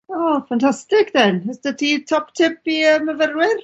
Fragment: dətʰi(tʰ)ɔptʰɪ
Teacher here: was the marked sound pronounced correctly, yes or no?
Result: yes